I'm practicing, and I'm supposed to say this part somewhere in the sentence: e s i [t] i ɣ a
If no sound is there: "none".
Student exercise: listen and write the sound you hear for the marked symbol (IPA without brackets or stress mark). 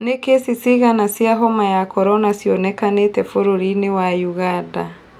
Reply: s